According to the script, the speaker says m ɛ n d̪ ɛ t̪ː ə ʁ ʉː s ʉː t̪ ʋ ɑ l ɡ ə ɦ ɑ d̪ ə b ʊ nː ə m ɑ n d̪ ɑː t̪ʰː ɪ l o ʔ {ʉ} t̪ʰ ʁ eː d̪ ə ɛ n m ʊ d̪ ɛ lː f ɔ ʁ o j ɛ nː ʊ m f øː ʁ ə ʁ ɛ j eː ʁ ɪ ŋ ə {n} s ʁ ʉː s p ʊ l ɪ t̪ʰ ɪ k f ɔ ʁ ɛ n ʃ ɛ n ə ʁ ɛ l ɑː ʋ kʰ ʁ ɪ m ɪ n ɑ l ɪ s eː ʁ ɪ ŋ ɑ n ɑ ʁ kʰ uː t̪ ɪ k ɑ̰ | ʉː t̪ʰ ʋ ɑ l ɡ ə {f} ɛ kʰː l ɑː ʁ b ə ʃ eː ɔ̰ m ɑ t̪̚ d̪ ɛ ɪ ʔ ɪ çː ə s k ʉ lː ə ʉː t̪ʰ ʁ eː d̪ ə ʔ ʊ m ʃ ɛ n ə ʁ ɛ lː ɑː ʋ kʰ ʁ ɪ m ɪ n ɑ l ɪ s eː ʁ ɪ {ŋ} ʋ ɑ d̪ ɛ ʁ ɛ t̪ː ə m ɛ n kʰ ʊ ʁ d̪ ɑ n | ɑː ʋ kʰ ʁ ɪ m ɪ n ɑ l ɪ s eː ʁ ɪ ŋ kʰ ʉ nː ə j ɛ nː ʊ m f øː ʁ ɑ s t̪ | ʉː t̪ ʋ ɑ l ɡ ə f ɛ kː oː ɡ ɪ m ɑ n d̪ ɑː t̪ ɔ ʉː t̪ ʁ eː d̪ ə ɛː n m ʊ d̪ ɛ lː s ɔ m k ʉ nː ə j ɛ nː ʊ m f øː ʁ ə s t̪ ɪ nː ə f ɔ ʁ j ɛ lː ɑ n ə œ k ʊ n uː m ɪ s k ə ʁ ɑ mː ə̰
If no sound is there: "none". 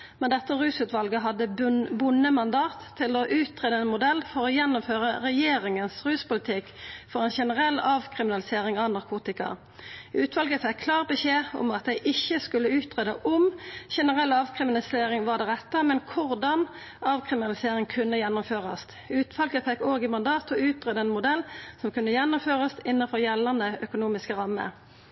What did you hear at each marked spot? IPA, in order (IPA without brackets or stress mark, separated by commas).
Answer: ʉː, n, f, ŋ